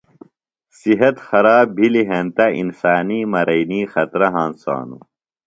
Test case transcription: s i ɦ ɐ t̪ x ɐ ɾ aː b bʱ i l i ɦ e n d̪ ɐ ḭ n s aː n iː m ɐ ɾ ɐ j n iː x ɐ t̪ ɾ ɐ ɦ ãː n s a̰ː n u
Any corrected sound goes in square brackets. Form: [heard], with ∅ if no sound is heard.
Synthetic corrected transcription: s i ɦ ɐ t̪ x ɐ ɾ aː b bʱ i l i ɦ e n [t̪] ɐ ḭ n s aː n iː m ɐ ɾ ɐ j n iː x ɐ t̪ ɾ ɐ ɦ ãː n s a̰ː n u